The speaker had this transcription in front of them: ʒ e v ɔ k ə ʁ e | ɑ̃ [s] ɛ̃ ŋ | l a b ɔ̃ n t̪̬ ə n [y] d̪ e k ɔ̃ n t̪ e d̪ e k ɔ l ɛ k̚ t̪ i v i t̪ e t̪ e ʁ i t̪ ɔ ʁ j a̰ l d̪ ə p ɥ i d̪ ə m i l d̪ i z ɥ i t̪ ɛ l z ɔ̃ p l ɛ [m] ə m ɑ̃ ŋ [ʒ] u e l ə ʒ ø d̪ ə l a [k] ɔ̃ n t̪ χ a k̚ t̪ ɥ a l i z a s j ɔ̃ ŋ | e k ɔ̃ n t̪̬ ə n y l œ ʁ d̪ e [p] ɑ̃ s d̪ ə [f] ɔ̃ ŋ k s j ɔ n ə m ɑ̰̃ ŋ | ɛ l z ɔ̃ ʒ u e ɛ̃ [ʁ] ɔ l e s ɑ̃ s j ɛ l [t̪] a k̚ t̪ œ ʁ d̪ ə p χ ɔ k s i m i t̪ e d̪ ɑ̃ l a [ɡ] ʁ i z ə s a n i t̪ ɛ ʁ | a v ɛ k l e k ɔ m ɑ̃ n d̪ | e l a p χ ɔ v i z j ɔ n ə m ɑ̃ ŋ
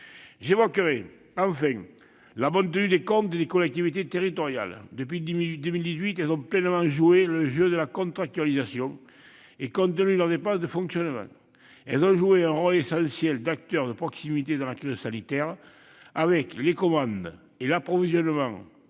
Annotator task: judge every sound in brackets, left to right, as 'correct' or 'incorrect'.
incorrect, correct, incorrect, correct, correct, correct, correct, correct, incorrect, incorrect

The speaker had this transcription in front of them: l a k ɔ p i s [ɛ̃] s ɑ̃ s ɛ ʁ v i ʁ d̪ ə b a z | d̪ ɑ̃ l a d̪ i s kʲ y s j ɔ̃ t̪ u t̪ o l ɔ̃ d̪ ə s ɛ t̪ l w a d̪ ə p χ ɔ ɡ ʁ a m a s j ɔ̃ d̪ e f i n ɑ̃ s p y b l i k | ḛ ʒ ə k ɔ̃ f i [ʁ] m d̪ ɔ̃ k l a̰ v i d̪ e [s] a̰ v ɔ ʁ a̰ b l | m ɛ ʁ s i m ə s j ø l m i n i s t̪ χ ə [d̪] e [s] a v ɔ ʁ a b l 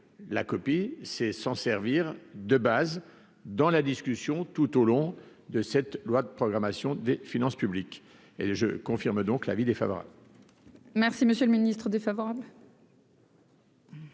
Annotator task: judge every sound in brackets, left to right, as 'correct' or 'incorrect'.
incorrect, correct, incorrect, correct, incorrect

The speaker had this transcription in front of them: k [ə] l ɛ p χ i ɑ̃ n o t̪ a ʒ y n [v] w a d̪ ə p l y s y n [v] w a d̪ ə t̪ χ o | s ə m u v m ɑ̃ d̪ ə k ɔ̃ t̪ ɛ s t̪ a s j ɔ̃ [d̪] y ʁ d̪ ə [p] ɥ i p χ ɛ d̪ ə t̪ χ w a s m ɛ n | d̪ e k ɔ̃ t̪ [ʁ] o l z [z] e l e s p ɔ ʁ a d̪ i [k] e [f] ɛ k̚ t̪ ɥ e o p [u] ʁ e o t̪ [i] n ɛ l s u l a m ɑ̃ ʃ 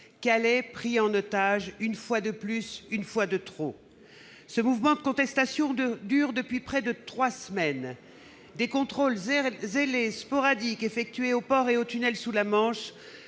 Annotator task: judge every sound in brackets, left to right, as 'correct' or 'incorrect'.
incorrect, incorrect, incorrect, correct, correct, incorrect, correct, correct, correct, incorrect, incorrect

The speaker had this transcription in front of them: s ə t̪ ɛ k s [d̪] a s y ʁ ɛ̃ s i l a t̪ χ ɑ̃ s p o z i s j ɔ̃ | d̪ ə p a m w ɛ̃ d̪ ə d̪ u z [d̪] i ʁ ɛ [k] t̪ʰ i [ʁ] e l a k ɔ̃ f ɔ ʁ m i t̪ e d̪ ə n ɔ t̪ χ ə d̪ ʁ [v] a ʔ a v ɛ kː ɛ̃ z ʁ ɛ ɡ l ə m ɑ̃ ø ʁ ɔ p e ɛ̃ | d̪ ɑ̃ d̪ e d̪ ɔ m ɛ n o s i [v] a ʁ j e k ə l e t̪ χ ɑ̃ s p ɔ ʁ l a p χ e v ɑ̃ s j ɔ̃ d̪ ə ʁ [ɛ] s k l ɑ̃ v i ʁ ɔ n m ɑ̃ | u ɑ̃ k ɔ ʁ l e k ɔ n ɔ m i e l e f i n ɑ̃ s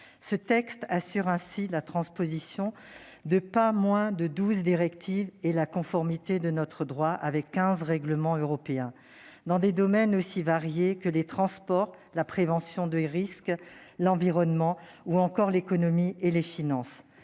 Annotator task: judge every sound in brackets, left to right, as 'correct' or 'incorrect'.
incorrect, correct, correct, incorrect, incorrect, correct, incorrect

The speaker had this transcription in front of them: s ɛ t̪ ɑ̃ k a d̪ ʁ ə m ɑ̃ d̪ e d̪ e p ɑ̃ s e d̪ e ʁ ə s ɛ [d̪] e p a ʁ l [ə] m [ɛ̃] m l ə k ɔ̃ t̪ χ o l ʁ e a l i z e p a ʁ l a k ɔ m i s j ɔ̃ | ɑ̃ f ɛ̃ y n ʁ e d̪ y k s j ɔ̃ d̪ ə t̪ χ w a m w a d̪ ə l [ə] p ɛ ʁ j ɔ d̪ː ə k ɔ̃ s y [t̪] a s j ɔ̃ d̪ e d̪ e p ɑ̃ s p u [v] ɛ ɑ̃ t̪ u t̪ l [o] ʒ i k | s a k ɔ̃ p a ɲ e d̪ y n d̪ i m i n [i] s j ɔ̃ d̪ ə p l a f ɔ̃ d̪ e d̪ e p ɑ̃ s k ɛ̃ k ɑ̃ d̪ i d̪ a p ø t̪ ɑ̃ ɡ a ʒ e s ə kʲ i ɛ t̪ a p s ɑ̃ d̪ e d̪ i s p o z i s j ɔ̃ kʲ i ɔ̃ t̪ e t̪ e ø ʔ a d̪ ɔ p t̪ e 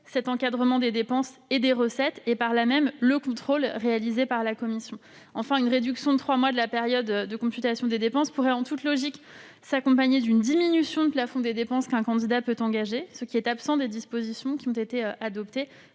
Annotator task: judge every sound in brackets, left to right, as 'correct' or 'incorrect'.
incorrect, incorrect, incorrect, incorrect, correct, incorrect, incorrect, incorrect

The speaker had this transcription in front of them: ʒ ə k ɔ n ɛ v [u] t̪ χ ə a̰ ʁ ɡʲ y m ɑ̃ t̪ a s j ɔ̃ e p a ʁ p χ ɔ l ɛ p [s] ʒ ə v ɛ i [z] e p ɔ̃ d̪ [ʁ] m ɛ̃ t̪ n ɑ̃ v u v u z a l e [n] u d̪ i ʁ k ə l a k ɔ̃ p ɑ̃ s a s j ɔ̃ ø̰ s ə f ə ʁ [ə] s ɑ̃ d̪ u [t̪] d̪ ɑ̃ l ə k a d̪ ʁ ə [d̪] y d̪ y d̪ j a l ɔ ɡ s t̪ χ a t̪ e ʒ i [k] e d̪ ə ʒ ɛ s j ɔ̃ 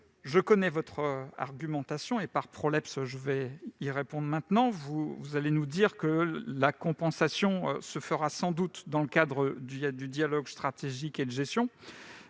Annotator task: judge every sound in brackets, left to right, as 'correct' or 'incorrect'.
incorrect, correct, incorrect, correct, correct, incorrect, correct, correct, correct

